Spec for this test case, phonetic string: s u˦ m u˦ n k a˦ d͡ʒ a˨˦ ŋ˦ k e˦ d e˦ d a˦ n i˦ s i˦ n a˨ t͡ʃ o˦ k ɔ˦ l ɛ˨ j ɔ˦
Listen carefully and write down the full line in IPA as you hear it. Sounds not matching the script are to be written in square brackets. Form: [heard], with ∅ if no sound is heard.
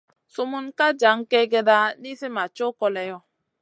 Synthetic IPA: s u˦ m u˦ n k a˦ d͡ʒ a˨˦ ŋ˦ k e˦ [ɡ] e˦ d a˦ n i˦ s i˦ [m] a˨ t͡ʃ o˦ k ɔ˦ l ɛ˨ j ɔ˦